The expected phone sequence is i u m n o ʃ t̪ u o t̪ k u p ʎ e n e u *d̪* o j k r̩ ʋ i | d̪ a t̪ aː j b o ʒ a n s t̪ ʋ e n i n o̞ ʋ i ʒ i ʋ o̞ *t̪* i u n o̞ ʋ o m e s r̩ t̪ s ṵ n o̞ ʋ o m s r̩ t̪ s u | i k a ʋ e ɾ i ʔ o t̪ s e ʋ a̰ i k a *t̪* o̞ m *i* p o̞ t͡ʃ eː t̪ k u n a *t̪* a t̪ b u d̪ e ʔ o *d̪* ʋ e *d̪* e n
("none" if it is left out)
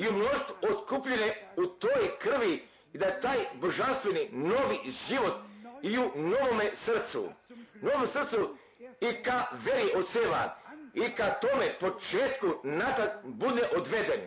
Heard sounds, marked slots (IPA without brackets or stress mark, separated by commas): t̪, t̪, t̪, e, t̪, d̪, d̪